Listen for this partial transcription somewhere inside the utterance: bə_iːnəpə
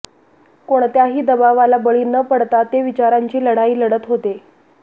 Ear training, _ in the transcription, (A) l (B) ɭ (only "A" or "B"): B